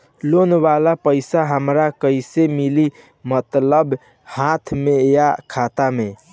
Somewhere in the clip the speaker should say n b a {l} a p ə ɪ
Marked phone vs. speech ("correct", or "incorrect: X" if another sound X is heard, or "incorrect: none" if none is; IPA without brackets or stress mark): correct